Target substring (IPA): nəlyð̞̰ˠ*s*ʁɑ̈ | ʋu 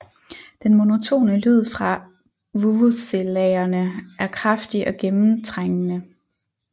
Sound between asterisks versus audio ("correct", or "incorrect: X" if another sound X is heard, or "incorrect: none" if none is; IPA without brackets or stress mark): incorrect: f